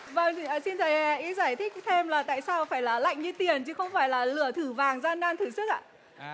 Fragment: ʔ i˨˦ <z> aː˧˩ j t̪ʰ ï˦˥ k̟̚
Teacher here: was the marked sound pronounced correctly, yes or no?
yes